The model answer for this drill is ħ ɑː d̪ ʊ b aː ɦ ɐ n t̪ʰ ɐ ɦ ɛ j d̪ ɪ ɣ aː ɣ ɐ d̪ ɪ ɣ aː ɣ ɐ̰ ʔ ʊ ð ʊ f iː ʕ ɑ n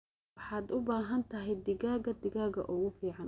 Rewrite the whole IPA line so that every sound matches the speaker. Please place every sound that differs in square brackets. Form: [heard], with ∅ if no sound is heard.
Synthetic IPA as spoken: ħ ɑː d̪ ʊ b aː ɦ ɐ n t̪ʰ ɐ ɦ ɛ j d̪ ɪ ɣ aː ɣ ɐ d̪ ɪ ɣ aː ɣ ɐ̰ ʔ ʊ [ɣ] ʊ f iː ʕ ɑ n